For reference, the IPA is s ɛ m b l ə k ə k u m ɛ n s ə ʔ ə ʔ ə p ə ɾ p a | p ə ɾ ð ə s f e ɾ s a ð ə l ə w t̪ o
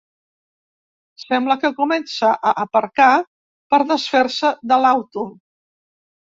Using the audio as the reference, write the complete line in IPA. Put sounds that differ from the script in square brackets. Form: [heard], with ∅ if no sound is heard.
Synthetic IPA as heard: s ɛ m b l ə k ə k u m ɛ n s ə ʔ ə ʔ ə p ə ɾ [k] a | p ə ɾ ð ə s f e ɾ s [ə] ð ə l [a] w t̪ [u]